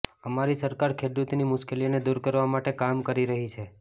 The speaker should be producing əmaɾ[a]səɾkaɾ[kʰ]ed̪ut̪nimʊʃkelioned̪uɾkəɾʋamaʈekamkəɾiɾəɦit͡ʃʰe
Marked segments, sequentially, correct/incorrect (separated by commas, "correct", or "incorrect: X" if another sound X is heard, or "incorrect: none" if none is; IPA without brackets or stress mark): incorrect: i, correct